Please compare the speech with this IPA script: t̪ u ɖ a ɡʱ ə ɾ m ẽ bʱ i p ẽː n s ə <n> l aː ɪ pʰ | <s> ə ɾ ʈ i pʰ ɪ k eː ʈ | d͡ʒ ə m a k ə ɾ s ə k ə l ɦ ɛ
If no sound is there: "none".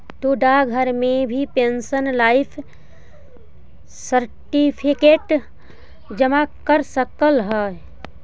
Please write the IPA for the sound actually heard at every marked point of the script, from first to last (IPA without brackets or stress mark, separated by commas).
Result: n, s